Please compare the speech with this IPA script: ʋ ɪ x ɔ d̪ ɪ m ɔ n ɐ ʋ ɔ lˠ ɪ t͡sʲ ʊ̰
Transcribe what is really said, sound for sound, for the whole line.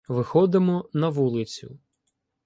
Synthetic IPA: ʋ ɪ x ɔ d̪ ɪ m ɔ n ɐ ʋ u lˠ ɪ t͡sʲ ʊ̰